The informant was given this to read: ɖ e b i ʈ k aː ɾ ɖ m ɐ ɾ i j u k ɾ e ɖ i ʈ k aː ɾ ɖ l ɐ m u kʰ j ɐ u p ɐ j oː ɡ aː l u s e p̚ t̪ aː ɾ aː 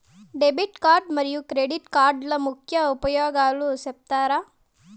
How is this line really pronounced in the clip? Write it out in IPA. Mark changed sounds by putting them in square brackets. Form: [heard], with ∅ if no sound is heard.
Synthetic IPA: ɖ e b i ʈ k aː ɾ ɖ m ɐ ɾ i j u k ɾ e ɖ i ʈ k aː ɾ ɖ l ɐ m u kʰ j ɐ u p ɐ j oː ɡ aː l u s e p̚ t̪ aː ɾ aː